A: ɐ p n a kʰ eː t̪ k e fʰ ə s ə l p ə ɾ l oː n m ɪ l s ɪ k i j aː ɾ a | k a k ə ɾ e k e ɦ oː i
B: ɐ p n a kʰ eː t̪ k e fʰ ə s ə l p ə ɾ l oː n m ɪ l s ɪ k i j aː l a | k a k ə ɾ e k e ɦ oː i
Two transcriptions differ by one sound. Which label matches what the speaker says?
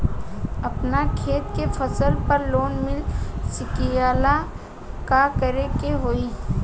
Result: B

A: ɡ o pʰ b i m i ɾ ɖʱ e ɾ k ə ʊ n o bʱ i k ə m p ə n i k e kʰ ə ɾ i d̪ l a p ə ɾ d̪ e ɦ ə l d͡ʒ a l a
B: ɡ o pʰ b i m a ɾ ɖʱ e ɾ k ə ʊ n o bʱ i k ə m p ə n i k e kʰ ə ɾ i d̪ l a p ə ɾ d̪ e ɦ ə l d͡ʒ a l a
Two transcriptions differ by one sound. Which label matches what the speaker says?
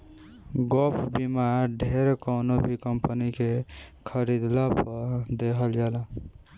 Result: B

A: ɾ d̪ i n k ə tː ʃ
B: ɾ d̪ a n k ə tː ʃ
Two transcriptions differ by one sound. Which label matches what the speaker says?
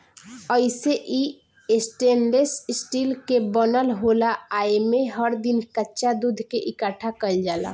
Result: A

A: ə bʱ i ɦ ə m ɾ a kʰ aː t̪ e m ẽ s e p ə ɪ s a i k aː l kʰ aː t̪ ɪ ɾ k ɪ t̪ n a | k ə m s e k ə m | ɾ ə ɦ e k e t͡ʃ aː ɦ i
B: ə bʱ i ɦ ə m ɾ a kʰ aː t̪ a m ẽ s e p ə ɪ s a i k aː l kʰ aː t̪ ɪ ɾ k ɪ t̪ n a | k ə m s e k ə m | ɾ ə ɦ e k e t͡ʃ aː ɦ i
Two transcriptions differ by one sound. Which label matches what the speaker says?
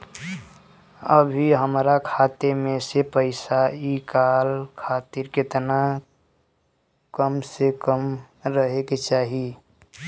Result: A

